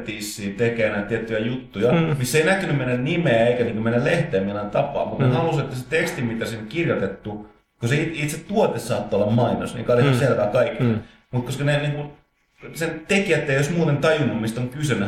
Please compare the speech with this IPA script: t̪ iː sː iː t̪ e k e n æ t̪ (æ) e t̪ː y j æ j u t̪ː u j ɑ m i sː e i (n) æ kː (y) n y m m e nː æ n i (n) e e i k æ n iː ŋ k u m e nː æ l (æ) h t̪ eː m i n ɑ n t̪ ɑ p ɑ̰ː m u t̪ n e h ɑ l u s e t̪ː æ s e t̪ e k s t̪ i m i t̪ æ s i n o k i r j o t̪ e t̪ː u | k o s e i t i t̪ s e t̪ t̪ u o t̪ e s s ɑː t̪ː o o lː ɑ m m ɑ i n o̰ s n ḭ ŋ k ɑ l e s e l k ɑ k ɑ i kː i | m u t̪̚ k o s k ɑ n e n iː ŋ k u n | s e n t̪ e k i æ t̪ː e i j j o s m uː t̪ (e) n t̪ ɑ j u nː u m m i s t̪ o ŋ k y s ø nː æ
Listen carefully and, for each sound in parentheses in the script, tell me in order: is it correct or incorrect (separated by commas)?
incorrect, correct, correct, incorrect, incorrect, correct